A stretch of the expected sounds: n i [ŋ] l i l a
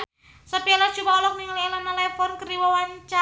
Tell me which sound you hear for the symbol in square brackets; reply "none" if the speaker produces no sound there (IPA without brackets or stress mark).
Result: ŋ